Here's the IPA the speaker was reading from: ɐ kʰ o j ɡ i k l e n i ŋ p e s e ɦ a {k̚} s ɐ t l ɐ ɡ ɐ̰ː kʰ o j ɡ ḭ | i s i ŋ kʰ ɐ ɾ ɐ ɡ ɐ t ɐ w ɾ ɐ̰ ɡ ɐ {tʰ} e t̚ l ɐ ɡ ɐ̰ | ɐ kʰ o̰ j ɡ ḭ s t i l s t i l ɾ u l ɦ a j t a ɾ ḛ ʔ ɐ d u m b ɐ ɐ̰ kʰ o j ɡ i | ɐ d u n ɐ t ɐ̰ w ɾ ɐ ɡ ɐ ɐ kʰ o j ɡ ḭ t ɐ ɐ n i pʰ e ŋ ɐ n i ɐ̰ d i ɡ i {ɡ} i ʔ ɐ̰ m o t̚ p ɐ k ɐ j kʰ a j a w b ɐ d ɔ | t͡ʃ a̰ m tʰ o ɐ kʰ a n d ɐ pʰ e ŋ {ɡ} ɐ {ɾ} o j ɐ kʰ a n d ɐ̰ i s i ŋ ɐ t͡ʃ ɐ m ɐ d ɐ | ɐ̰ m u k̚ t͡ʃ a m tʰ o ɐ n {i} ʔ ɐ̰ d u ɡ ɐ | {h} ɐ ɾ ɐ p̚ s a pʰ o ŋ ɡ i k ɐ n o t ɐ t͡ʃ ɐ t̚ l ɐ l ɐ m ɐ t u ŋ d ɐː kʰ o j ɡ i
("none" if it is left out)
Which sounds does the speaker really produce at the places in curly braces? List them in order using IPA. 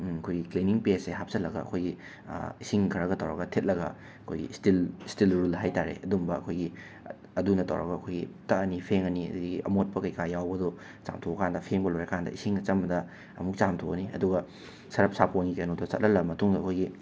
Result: p̚, tʰ, ɡ, b, l, i, s

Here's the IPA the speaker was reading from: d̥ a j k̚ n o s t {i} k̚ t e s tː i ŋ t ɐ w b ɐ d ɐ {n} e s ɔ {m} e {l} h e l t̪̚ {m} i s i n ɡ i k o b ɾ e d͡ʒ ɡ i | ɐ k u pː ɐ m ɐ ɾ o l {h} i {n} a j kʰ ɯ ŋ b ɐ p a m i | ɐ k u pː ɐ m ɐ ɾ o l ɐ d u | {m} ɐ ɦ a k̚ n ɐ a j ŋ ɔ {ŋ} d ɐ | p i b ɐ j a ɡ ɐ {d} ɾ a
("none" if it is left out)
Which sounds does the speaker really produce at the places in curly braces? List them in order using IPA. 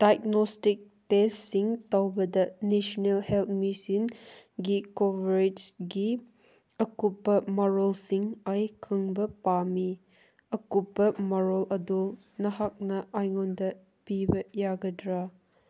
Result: i, n, n, l, m, s, ŋ, n, n, d

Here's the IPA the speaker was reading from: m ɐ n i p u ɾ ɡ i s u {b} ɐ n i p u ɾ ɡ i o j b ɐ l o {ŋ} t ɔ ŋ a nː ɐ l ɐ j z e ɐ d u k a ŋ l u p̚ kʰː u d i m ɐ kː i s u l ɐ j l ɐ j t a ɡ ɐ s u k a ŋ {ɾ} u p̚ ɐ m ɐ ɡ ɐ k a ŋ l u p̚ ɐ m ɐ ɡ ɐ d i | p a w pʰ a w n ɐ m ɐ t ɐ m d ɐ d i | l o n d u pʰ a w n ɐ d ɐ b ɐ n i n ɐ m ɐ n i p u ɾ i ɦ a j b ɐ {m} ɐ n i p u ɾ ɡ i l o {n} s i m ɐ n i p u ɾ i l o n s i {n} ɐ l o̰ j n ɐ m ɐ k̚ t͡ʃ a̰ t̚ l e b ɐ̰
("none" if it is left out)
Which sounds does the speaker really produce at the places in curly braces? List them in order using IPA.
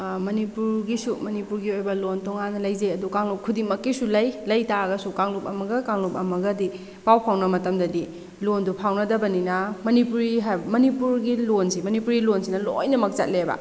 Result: m, n, l, m, n, n

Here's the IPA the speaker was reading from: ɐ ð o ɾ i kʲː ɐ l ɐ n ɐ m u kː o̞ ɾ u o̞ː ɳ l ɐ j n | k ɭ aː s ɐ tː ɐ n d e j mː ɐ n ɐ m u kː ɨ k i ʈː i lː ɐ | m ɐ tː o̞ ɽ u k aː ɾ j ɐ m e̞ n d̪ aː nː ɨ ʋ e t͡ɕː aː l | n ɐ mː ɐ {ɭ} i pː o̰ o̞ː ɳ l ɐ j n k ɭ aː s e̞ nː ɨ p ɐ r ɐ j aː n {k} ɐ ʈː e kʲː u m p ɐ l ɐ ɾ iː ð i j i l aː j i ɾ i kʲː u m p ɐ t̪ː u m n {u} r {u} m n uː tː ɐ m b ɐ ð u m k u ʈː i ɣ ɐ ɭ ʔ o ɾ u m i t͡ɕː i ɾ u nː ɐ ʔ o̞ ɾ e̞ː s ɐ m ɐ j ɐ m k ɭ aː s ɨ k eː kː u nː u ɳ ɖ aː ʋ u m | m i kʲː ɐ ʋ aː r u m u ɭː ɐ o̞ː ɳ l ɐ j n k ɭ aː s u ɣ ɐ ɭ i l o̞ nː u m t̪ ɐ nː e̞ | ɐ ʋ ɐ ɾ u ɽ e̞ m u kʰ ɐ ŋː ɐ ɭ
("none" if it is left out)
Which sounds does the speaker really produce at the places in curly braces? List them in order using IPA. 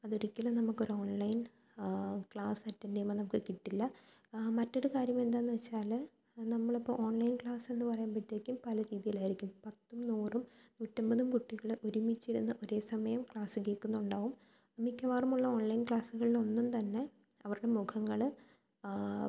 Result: ɭ, p, uː, u

